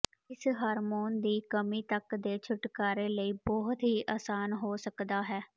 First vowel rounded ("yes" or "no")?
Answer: no